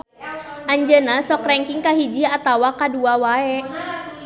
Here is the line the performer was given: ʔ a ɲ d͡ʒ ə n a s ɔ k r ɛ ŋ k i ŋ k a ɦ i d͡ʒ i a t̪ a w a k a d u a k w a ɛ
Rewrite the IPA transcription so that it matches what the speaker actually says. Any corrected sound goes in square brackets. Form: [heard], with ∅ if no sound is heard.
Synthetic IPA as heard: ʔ a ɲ d͡ʒ ə n a s ɔ k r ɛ ŋ k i ŋ k a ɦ i d͡ʒ i a t̪ a w a k a d u a [∅] w a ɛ